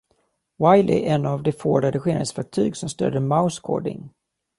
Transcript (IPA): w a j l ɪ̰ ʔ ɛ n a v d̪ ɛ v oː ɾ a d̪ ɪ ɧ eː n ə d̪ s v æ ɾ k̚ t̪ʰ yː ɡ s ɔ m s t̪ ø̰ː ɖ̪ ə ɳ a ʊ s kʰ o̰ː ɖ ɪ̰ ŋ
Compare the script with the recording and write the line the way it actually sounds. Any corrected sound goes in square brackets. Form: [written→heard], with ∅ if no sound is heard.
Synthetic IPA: w a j l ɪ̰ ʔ ɛ n a v d̪ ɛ [v→f] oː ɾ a d̪ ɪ ɧ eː n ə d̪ s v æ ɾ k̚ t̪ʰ yː ɡ s ɔ m s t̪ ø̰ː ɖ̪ ə [ɳ→m] a ʊ s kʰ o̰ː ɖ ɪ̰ ŋ